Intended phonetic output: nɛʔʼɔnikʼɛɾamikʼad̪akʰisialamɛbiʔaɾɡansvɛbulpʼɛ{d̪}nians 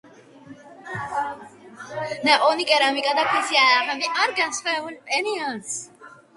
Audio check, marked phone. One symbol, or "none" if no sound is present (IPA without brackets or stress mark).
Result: none